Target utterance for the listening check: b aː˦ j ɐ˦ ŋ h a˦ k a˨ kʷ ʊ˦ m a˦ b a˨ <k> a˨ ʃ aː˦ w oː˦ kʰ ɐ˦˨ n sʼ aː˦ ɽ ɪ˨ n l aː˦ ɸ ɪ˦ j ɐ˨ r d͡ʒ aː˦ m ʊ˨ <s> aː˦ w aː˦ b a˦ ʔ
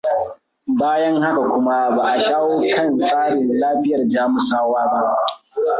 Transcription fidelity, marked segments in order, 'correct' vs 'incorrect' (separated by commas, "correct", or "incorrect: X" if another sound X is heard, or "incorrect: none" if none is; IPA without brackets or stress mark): incorrect: ʔ, correct